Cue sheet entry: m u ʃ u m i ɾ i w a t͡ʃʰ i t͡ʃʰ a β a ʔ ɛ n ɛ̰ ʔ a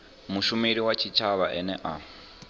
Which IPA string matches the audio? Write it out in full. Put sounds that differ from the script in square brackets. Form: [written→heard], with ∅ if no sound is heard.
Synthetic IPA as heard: m u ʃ u m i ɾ i w a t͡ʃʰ i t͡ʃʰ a β a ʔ ɛ n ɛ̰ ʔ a